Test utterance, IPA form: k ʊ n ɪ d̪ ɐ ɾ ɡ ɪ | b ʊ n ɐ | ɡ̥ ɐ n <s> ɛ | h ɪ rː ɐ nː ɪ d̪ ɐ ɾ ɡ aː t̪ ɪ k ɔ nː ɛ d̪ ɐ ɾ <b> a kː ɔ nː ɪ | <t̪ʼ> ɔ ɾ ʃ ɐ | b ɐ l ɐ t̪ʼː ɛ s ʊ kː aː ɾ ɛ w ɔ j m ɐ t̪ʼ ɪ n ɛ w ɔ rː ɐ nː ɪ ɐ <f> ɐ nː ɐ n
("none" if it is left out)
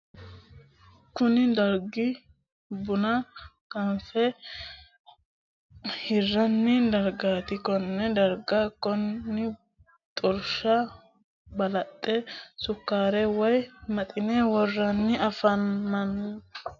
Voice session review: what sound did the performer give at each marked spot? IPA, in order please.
f, ɡ, t̪ʼ, f

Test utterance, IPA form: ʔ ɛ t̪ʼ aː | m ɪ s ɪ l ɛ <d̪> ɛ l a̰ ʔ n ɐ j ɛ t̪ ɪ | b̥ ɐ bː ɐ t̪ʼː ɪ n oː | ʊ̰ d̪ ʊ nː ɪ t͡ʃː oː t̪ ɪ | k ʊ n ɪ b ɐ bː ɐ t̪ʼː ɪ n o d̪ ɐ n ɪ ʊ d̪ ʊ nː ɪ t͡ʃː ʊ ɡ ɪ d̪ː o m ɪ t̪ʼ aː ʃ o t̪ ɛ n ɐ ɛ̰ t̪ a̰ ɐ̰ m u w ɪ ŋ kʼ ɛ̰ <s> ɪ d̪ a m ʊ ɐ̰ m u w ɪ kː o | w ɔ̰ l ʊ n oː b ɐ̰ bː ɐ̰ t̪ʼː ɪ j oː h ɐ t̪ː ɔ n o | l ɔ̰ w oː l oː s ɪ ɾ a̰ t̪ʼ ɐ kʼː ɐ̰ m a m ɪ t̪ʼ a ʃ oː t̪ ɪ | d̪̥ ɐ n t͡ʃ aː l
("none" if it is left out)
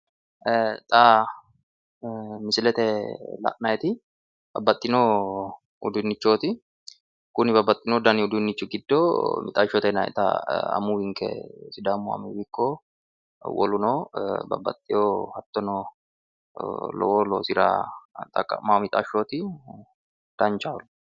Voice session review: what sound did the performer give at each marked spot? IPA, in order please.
t̪, s

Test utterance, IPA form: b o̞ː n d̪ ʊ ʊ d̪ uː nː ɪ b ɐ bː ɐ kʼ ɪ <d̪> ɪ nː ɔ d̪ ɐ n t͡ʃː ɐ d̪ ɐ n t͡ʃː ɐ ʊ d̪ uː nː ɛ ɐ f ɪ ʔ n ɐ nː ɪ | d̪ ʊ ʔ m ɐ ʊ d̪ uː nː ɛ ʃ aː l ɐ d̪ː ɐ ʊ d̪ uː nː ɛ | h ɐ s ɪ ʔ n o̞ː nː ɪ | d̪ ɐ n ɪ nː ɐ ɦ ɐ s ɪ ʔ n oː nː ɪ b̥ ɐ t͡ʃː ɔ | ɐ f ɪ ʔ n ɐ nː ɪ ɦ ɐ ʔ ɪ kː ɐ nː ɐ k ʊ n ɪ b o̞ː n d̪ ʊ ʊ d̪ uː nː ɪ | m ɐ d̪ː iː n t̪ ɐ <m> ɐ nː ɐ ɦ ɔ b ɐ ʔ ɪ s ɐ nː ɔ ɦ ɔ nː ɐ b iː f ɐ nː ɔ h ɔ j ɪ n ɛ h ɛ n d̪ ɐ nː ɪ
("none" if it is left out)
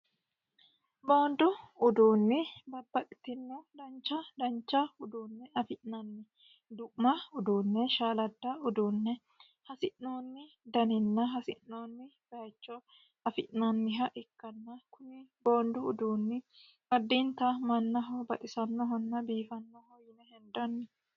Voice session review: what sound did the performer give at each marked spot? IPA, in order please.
t̪, m

